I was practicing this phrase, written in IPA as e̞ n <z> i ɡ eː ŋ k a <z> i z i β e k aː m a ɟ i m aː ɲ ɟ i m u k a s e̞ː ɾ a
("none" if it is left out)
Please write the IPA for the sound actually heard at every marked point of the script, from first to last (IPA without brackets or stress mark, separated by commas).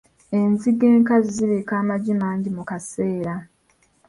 z, z